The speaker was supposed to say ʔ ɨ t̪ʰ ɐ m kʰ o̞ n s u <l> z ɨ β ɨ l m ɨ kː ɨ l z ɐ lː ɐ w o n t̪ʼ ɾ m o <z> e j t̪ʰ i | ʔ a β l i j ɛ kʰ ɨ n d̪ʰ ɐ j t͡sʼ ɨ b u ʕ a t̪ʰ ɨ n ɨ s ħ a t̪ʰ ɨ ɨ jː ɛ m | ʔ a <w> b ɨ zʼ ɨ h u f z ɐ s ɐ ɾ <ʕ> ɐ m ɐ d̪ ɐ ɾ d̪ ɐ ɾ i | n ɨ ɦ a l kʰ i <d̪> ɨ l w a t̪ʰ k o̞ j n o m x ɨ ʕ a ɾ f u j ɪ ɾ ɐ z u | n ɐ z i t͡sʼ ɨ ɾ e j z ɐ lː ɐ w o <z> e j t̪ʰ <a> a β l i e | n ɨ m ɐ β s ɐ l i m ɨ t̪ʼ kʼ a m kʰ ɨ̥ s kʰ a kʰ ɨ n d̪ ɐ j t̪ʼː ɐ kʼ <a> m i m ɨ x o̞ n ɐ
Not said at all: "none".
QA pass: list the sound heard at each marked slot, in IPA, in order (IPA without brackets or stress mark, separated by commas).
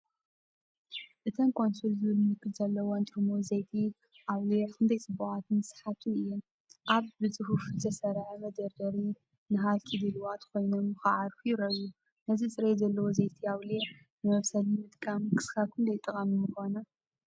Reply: l, z, β, ʕ, d̪, z, i, ɐ